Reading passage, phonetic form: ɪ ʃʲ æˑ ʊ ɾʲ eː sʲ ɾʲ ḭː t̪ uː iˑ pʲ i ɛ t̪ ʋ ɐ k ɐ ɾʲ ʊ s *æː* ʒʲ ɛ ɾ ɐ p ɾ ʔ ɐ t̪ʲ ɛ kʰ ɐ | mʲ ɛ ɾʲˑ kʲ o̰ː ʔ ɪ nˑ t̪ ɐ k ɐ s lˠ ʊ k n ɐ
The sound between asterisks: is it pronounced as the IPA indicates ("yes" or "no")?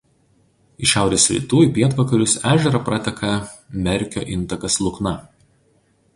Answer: yes